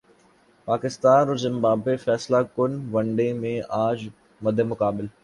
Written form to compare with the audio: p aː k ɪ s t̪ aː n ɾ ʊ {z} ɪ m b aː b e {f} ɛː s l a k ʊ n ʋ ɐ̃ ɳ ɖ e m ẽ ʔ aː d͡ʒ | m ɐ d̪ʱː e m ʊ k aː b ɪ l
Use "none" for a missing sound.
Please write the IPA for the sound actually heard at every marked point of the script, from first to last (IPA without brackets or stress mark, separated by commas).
z, f